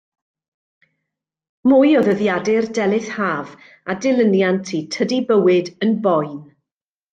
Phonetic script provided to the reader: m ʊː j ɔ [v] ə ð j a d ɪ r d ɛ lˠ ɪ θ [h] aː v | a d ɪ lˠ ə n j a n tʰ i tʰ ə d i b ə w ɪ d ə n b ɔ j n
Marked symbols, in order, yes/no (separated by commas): no, yes